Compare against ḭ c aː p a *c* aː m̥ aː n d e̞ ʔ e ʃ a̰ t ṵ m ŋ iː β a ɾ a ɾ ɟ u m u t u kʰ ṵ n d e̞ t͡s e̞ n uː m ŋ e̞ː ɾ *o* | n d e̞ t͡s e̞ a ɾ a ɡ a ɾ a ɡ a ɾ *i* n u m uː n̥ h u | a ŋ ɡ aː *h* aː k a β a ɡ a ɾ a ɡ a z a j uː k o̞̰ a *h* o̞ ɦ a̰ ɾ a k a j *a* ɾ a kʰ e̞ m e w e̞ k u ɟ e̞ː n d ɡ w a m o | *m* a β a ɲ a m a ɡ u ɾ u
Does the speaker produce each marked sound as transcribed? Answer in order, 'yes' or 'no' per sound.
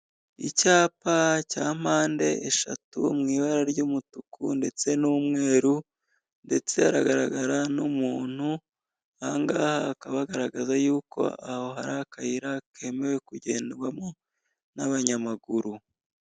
yes, no, no, yes, yes, no, no

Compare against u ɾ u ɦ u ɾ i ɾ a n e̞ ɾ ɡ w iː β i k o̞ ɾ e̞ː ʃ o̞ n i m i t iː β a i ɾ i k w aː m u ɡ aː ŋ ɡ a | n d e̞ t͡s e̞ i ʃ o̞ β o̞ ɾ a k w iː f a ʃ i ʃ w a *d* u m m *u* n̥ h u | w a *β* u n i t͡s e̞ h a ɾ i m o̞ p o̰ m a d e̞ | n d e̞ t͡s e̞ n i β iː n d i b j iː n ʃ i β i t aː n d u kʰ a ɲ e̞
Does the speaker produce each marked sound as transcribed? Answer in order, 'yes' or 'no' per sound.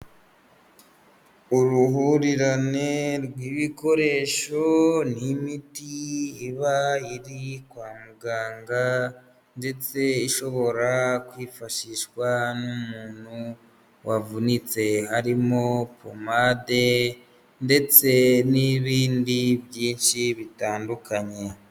no, no, no

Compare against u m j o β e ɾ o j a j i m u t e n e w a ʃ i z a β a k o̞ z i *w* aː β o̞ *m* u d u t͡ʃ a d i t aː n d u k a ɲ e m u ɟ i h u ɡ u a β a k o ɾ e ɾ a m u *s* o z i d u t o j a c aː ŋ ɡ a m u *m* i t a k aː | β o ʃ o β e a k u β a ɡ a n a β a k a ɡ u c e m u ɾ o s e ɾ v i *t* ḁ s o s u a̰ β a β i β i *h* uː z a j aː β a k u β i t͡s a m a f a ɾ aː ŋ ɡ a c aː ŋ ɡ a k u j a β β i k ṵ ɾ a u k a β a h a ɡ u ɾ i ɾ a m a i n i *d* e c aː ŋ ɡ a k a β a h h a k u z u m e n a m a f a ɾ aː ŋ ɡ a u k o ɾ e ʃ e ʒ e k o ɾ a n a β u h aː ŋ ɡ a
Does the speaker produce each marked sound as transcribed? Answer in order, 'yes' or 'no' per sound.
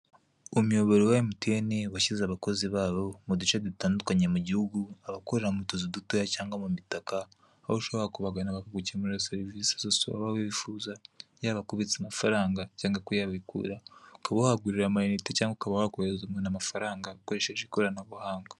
no, yes, no, yes, no, no, no

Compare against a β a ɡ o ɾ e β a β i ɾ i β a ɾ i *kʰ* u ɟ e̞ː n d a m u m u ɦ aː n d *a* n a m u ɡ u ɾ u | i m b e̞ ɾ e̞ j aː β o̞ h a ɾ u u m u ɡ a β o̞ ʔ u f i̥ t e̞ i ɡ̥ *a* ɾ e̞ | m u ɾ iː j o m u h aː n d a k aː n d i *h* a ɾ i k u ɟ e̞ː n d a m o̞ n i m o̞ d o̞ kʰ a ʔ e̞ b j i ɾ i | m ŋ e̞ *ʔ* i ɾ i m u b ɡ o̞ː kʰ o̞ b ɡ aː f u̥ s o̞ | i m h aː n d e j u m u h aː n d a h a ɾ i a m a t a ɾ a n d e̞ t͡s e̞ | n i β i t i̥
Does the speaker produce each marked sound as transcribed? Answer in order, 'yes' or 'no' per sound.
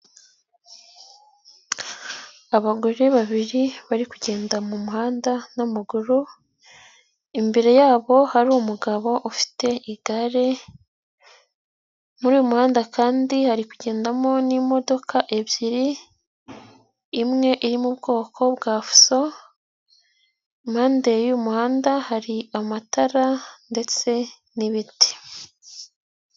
no, yes, yes, yes, yes

